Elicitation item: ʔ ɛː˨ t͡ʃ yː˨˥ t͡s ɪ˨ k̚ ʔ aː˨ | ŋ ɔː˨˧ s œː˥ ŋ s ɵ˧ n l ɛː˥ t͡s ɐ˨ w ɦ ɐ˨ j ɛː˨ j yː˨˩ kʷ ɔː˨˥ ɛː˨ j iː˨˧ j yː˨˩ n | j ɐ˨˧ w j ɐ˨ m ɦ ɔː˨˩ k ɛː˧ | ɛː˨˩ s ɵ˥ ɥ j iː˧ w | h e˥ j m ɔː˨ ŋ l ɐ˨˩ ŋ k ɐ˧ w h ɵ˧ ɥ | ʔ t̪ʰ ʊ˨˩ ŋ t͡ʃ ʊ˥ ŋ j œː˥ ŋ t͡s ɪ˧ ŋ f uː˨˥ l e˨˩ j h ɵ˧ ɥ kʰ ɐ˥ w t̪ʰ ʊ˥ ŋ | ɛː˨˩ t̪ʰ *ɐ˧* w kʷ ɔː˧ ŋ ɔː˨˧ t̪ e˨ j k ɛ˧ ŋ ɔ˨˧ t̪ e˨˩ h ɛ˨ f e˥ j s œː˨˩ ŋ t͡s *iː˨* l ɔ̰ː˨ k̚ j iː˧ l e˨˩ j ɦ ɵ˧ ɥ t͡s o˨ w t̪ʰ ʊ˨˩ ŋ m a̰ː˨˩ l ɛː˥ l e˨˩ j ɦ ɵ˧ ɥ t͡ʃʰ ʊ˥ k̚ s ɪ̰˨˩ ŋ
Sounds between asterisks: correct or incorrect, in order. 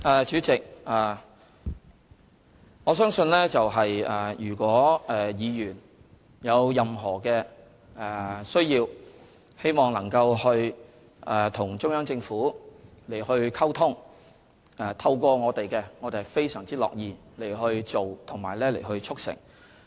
correct, incorrect

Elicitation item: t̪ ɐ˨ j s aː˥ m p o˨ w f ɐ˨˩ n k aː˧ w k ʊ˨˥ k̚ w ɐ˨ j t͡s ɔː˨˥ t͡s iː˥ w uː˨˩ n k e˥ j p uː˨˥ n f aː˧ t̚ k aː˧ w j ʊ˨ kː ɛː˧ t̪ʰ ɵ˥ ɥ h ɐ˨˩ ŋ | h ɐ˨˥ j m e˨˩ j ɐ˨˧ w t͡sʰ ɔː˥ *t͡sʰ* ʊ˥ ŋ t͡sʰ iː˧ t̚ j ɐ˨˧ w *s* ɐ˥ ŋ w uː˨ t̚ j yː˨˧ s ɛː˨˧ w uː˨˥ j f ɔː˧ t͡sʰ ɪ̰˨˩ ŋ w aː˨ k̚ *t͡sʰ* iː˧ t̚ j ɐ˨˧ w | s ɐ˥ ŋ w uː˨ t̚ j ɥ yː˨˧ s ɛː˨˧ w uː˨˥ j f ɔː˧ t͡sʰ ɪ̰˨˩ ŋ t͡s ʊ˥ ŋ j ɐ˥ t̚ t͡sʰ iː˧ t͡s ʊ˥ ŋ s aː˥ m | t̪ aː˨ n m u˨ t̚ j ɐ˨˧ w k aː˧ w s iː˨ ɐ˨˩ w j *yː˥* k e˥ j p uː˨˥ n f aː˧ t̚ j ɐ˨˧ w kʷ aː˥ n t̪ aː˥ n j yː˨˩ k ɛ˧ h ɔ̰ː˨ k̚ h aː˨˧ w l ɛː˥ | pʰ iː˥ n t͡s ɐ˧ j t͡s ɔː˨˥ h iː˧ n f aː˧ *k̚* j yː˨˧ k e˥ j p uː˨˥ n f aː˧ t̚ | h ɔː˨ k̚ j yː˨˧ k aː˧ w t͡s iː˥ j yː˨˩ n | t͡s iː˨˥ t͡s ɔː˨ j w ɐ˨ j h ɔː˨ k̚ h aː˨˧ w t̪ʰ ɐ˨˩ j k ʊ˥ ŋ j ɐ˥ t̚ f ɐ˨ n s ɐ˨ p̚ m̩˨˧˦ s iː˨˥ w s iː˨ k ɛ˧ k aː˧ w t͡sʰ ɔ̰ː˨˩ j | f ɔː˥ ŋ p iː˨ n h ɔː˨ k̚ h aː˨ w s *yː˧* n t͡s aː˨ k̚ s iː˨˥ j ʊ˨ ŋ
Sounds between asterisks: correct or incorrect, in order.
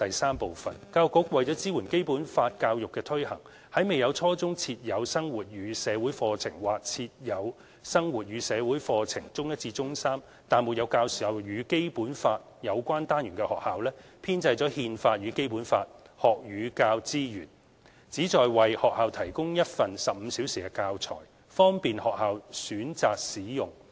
incorrect, correct, correct, incorrect, incorrect, incorrect

